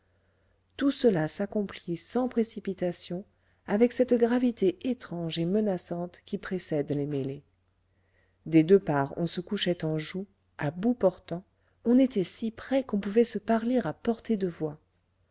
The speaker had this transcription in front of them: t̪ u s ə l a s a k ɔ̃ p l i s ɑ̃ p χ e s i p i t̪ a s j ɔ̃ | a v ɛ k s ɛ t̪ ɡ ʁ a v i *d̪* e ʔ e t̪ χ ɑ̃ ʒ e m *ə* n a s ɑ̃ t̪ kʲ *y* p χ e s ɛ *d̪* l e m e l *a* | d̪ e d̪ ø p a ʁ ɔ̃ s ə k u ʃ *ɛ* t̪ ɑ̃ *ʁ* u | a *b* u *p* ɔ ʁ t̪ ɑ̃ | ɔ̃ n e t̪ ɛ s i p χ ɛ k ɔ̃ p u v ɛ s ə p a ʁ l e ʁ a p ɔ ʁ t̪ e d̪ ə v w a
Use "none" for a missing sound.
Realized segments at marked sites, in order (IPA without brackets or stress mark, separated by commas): t̪, ə, i, d̪, e, ɛ, ʒ, b, p